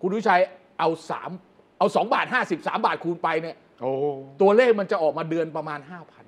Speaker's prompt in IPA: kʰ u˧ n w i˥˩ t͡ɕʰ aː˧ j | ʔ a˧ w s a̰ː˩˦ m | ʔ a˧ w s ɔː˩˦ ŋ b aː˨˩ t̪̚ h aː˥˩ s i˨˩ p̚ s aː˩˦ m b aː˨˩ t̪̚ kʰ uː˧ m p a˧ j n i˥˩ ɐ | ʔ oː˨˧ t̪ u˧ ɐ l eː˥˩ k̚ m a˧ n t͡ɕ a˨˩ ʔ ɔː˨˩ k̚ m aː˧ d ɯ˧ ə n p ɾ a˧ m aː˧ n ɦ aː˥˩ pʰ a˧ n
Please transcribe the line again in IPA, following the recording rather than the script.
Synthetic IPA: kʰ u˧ n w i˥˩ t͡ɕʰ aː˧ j | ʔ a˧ w s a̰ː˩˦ m | ʔ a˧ w s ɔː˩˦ ŋ b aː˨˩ t̪̚ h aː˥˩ s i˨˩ p̚ s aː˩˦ m b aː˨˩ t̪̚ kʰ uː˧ n p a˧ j n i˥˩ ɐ | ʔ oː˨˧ t̪ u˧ ɐ l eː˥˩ k̚ m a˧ n t͡ɕ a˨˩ ʔ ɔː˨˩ k̚ m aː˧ d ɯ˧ ə n p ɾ a˧ m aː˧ n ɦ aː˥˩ pʰ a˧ n